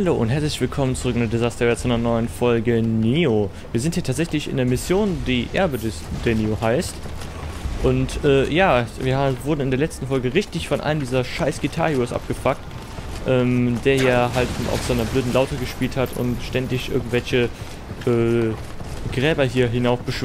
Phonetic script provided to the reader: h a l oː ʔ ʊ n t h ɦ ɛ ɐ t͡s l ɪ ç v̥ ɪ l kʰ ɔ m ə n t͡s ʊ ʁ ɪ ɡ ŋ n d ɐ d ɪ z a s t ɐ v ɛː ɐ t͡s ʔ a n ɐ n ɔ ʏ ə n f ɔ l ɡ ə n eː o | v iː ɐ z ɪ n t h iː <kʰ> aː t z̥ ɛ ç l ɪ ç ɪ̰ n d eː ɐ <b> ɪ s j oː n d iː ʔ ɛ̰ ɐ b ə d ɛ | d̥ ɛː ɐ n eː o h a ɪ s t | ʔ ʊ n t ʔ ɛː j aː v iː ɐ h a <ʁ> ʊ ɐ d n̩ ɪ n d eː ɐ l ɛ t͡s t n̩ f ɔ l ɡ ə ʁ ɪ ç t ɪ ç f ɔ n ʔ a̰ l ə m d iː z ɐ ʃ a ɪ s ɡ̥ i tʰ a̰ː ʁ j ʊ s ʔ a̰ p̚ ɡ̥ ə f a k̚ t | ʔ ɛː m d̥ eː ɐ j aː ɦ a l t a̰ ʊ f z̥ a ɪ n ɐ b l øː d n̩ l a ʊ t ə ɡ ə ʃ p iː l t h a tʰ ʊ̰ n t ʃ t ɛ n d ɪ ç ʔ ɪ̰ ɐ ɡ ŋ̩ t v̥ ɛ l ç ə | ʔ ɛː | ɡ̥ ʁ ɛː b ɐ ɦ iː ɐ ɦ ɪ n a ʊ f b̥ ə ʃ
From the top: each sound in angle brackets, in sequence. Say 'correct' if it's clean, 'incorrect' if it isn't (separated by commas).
incorrect, incorrect, incorrect